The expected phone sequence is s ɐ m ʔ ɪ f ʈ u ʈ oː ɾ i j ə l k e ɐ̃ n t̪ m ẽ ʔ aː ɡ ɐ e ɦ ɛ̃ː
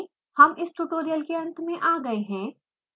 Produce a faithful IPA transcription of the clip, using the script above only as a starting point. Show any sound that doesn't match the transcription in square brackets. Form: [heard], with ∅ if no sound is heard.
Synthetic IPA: [h] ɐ m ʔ ɪ [s] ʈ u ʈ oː ɾ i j ə l k e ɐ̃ n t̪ m ẽ ʔ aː ɡ ɐ e ɦ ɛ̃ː